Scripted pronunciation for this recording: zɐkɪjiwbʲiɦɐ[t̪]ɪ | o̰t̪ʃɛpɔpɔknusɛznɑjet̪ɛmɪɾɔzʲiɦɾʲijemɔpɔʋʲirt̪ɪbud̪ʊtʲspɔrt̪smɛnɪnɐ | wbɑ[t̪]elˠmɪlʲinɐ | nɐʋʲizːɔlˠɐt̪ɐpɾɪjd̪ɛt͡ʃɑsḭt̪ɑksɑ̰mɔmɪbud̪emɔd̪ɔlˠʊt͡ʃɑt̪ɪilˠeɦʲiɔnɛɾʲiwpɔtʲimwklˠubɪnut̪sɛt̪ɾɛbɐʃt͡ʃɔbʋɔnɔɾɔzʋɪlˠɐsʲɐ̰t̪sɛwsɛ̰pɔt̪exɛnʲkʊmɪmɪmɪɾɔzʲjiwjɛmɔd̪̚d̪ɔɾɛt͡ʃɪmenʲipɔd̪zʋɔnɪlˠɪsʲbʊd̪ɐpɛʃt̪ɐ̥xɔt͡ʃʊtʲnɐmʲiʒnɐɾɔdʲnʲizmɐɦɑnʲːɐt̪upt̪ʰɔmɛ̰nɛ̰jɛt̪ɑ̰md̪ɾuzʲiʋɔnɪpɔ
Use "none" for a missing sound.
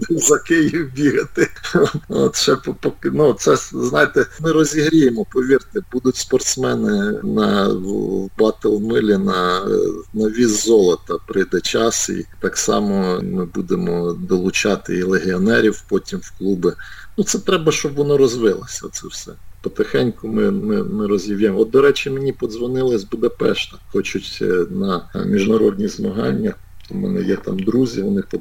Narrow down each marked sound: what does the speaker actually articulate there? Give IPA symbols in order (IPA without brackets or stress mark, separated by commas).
t̪, t̪